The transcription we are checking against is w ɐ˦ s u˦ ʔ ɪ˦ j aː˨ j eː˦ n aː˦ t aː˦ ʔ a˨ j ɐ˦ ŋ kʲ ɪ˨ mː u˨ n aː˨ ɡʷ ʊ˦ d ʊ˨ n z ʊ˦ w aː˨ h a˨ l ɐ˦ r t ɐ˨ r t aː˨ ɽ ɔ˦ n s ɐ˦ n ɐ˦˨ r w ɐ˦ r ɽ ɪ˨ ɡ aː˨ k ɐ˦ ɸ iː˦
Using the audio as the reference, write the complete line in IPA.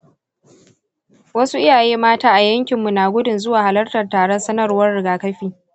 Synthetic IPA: w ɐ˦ s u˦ ʔ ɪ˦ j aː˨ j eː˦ m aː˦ t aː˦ ʔ a˨ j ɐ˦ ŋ kʲ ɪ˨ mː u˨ n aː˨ ɡʷ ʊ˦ d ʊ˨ n z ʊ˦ w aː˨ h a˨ l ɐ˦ r t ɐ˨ r t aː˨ ɽ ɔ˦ n s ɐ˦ n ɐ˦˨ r w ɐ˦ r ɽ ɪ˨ ɡ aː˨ k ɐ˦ ɸ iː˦